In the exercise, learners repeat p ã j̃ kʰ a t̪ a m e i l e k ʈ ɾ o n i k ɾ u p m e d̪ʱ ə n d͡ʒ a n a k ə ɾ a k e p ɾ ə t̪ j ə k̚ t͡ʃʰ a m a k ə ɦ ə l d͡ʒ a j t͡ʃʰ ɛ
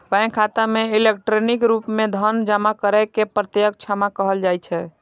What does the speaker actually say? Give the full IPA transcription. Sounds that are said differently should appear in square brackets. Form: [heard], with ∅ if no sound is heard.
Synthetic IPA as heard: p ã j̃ kʰ a t̪ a m e i l e k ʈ ɾ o n i k ɾ u p m e d̪ʱ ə n d͡ʒ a [m] a k ə ɾ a k e p ɾ ə t̪ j ə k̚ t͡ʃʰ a m a k ə ɦ ə l d͡ʒ a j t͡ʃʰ ɛ